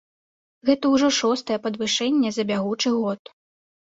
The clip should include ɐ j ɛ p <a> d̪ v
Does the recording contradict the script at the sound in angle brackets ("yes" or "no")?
yes